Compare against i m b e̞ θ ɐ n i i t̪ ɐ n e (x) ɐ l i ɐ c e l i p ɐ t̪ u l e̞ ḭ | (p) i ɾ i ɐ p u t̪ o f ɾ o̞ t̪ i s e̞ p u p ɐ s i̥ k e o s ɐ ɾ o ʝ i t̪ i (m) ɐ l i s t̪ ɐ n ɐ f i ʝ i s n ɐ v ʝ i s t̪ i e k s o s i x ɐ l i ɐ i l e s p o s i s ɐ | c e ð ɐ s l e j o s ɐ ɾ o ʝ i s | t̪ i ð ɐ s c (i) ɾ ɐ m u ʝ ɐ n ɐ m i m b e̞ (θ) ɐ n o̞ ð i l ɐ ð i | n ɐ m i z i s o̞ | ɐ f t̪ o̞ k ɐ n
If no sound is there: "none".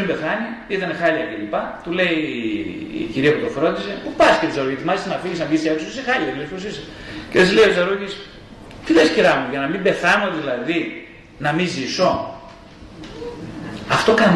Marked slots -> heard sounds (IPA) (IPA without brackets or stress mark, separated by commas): x, c, m, i, θ